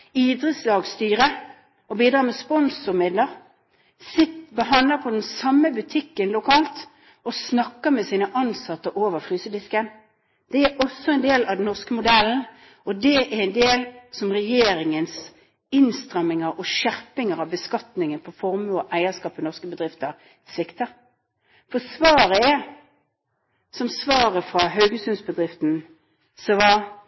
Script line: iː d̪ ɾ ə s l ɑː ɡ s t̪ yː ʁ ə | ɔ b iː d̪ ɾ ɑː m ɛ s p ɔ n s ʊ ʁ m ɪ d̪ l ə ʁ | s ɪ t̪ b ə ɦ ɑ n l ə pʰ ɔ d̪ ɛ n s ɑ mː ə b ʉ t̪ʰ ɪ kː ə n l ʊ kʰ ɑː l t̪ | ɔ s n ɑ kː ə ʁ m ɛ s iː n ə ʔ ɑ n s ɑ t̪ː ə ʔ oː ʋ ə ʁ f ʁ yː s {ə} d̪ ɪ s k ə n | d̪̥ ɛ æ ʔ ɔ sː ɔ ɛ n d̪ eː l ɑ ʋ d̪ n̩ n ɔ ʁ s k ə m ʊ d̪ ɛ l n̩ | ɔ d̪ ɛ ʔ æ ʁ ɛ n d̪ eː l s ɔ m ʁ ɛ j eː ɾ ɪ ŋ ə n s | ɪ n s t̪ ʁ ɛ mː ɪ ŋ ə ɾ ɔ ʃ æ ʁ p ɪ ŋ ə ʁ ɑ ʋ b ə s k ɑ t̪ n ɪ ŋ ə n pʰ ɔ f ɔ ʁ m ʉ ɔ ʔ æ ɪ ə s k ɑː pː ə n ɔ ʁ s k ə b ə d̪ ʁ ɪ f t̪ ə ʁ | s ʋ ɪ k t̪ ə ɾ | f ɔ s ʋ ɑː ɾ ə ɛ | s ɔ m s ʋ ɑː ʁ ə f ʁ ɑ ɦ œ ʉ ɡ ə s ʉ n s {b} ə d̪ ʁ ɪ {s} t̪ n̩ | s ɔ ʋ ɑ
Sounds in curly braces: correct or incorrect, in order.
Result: correct, correct, incorrect

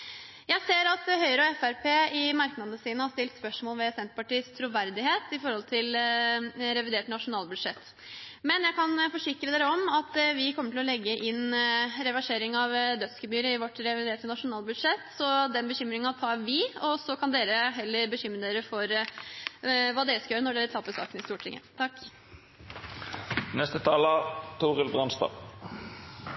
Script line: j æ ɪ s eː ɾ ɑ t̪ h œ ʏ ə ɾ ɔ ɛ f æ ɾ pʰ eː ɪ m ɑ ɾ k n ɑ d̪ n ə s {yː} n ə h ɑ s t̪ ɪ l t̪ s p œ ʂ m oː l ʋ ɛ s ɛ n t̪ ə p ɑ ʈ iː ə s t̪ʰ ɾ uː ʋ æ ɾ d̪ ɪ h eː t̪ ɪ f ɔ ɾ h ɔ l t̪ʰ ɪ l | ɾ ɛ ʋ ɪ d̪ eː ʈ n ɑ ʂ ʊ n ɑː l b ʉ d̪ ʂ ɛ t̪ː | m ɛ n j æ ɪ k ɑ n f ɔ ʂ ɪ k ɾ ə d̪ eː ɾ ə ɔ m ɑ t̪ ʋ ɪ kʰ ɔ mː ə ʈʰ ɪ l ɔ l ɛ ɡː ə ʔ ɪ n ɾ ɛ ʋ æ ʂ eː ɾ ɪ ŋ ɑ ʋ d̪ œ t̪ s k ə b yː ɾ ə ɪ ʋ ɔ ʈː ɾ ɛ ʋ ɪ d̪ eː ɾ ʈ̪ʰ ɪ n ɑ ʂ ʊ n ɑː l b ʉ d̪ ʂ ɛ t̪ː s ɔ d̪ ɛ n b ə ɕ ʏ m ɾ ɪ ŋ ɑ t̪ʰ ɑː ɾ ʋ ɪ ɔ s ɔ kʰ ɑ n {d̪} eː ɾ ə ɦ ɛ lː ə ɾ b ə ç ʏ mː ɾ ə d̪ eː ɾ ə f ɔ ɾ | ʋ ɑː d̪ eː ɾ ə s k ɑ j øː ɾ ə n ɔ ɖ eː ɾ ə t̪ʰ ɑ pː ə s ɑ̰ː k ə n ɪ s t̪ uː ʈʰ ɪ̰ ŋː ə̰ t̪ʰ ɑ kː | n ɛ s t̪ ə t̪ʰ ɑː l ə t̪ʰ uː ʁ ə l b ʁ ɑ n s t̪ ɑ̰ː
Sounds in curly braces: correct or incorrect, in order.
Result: incorrect, correct

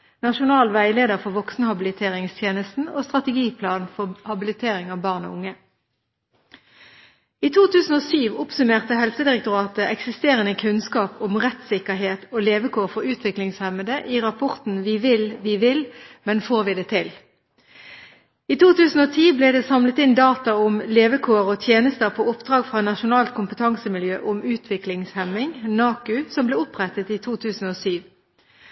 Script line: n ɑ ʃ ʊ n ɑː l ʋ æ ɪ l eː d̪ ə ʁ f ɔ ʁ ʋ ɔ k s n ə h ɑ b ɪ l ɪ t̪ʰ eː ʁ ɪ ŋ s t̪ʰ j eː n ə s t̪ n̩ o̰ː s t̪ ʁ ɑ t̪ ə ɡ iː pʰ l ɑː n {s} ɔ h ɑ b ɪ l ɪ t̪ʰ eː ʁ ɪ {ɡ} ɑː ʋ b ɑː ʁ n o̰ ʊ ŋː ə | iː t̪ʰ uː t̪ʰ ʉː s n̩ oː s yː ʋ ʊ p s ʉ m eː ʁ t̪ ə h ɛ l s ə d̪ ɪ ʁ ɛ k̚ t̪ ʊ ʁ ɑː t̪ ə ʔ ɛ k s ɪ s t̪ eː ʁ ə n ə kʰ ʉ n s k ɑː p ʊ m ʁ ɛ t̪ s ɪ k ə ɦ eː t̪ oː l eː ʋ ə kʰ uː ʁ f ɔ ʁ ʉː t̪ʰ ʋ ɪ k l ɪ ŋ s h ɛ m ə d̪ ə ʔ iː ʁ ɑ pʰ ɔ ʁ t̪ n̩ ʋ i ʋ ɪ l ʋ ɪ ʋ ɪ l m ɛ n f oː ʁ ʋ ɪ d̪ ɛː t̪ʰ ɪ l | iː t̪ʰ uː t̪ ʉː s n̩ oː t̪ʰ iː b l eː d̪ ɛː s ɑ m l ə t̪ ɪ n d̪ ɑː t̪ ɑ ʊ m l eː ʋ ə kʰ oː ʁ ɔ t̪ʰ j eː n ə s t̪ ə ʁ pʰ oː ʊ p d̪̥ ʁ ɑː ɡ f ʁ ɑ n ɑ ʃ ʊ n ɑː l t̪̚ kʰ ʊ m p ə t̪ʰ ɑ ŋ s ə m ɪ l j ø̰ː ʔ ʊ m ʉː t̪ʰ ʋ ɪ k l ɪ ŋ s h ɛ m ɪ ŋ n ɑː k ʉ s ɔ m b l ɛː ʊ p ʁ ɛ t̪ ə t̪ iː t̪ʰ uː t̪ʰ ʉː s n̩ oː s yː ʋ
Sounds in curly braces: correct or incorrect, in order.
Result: incorrect, incorrect

